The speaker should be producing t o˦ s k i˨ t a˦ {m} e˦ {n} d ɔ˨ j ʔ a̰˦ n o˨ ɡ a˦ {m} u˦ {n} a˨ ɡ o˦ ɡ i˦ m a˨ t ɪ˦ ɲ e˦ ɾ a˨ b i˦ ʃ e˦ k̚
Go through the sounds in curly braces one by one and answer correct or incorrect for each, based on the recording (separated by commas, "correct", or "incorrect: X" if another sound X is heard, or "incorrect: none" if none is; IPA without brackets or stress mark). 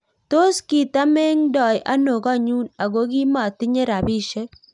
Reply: correct, incorrect: ŋ, incorrect: ɲ, correct